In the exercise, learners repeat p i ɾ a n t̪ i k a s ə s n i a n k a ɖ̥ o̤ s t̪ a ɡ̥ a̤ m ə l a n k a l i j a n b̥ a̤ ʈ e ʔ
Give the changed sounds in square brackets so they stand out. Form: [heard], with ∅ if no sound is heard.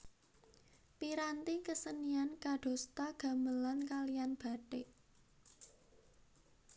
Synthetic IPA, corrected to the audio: p i ɾ a n t̪ i k [ə] s ə [∅] n i a n k a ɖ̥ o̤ s t̪ a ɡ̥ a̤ m ə l a n k a l i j a n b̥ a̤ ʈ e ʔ